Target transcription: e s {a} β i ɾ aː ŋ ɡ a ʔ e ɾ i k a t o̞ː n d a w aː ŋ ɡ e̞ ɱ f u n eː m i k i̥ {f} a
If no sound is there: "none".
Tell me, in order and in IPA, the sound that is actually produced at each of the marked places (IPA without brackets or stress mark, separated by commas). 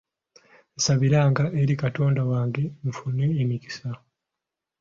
a, s